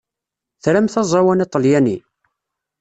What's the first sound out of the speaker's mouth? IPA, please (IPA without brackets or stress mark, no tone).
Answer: θ